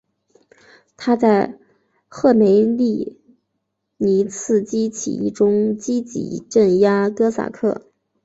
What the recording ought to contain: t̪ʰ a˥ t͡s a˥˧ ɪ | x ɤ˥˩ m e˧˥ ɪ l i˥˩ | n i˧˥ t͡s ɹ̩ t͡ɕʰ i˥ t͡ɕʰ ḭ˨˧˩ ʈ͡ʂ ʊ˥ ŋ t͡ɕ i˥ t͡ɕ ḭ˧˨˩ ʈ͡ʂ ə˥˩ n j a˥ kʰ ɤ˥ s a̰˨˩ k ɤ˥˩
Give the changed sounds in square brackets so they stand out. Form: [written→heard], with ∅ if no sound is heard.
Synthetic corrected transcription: t̪ʰ a˥ t͡s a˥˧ ɪ | x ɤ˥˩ m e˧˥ ɪ l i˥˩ | n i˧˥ [t͡s→t͡sʰ] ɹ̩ [t͡ɕʰ→t͡ɕ] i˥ t͡ɕʰ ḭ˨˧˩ ʈ͡ʂ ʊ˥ ŋ t͡ɕ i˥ t͡ɕ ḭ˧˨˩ ʈ͡ʂ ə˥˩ n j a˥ [kʰ→k] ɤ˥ s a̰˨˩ [k→kʰ] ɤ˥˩

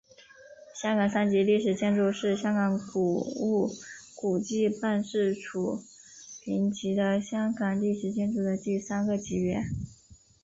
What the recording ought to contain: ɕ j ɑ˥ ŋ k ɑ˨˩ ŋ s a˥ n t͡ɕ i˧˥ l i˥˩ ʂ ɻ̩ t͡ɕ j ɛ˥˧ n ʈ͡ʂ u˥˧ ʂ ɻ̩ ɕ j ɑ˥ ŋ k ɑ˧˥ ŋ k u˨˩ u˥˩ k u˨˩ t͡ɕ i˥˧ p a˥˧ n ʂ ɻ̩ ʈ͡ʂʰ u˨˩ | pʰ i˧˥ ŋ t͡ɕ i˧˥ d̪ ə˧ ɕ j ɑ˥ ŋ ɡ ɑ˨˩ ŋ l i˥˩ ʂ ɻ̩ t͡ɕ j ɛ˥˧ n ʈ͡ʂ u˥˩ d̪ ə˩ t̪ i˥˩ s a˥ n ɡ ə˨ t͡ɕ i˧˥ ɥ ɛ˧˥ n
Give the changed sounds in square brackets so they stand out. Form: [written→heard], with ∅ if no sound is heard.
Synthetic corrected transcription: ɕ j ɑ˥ ŋ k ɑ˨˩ ŋ s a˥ n t͡ɕ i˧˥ l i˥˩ ʂ ɻ̩ t͡ɕ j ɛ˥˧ n ʈ͡ʂ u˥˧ ʂ ɻ̩ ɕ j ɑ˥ ŋ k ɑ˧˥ ŋ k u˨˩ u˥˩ k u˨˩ t͡ɕ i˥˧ p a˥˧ n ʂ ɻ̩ ʈ͡ʂʰ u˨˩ | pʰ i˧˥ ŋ t͡ɕ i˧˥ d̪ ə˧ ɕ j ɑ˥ ŋ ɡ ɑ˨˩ ŋ l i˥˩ ʂ ɻ̩ t͡ɕ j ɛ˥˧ n ʈ͡ʂ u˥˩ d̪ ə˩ t̪ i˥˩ s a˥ n ɡ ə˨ t͡ɕ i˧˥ ɥ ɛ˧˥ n

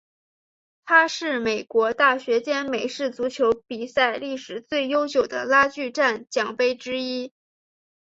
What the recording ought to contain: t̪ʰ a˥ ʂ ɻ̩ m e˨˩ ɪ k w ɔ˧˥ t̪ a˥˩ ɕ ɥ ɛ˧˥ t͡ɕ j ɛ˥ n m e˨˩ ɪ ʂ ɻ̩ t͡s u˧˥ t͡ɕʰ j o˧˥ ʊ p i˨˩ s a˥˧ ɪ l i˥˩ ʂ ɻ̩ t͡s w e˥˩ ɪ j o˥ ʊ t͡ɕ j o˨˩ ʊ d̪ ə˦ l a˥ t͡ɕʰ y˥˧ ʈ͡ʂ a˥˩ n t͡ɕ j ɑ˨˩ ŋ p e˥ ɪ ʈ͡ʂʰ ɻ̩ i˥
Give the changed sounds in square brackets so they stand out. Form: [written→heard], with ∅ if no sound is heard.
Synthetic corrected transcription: t̪ʰ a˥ ʂ ɻ̩ m e˨˩ ɪ k w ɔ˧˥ t̪ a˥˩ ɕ ɥ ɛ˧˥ t͡ɕ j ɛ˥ n m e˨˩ ɪ ʂ ɻ̩ t͡s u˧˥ t͡ɕʰ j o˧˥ ʊ p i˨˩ s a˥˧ ɪ l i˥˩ ʂ ɻ̩ t͡s w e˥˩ ɪ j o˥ ʊ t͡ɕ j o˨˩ ʊ d̪ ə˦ l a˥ [t͡ɕʰ→t͡ɕ] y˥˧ ʈ͡ʂ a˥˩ n t͡ɕ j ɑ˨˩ ŋ p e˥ ɪ [ʈ͡ʂʰ→ʈ͡ʂ] ɻ̩ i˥

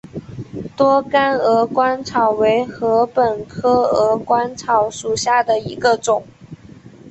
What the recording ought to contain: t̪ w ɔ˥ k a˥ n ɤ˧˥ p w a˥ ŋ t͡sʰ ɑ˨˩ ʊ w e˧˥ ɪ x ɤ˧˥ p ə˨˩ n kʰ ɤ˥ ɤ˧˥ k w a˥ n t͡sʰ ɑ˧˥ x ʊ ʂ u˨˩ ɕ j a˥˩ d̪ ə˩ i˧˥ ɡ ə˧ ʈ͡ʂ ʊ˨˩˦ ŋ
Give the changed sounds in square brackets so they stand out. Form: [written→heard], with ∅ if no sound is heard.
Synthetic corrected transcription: t̪ w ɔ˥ k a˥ n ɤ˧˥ [p→k] w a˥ [ŋ→n] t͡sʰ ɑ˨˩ ʊ w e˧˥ ɪ x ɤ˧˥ p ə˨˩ n kʰ ɤ˥ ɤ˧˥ k w a˥ n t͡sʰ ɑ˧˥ [x→∅] ʊ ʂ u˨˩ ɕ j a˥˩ d̪ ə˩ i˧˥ ɡ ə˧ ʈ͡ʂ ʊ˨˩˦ ŋ

